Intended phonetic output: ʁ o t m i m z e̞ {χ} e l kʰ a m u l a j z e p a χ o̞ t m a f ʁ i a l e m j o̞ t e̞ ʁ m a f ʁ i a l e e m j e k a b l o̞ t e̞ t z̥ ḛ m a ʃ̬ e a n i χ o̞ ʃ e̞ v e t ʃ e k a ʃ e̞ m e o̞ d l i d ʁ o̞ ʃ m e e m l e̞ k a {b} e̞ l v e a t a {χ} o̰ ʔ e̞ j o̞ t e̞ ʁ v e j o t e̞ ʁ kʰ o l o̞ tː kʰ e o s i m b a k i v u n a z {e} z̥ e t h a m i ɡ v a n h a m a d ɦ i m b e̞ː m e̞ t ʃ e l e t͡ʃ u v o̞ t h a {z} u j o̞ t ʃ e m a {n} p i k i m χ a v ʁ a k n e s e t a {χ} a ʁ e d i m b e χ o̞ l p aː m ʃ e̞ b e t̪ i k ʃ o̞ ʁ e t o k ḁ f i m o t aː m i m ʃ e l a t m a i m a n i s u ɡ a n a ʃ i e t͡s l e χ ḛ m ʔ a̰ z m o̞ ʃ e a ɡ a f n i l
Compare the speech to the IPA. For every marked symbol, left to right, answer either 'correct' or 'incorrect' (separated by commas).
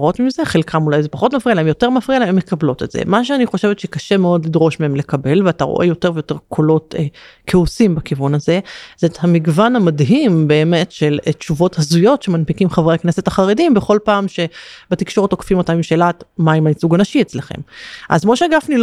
correct, correct, incorrect, correct, correct, correct, correct